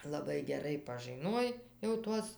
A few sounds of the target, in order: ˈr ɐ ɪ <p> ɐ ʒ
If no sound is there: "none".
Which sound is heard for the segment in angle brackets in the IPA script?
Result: p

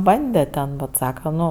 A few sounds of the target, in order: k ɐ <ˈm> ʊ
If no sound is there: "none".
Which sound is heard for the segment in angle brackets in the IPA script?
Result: n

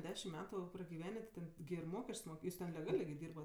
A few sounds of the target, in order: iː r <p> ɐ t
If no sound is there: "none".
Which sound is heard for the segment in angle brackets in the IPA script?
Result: b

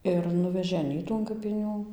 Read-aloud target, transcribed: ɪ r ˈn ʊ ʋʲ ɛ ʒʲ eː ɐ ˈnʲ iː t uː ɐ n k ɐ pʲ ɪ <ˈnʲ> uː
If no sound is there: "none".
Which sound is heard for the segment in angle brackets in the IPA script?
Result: nʲ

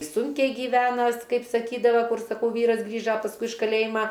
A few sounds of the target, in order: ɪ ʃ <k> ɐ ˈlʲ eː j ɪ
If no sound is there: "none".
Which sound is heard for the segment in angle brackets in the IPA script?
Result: k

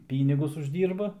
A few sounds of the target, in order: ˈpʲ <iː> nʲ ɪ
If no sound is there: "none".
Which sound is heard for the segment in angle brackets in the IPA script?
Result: iː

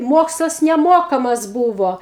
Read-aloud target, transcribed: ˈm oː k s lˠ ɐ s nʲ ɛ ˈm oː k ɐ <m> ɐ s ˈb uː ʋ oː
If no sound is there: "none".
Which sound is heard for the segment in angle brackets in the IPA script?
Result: m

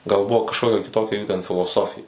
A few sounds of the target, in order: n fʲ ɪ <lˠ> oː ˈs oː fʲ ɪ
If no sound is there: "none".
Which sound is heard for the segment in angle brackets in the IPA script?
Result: lˠ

